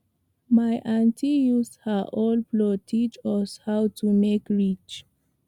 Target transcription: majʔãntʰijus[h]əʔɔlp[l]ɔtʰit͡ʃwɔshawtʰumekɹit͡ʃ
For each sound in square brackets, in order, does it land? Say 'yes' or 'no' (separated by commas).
yes, yes